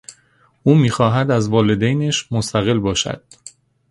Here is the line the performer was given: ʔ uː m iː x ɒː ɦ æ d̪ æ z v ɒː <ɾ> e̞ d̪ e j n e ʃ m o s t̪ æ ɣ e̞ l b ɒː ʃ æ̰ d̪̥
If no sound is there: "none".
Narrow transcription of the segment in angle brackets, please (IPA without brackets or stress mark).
l